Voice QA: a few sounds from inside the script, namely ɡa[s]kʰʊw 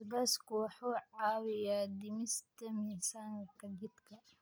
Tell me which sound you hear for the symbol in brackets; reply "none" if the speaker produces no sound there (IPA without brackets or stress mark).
s